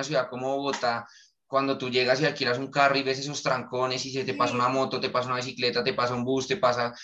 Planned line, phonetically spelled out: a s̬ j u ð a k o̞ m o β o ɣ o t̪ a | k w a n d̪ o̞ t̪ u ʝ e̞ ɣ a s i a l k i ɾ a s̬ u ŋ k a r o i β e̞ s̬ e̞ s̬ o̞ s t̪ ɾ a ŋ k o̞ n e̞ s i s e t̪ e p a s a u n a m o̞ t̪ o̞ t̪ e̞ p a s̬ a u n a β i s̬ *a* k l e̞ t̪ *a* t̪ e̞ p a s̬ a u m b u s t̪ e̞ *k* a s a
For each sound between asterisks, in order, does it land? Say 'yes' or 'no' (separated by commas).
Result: no, yes, no